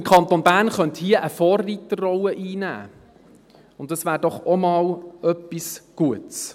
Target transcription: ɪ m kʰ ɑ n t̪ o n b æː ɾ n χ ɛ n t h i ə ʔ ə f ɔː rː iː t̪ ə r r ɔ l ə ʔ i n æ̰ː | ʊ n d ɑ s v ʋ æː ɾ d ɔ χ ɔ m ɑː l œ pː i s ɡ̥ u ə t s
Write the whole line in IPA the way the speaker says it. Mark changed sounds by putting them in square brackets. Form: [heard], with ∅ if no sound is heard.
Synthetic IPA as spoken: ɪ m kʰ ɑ n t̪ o n b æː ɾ n χ [œ] n t h i ə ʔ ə f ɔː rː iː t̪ ə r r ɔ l ə ʔ [iː] n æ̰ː | ʊ n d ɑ s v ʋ æː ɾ d ɔ χ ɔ m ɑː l œ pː i s ɡ̥ u ə t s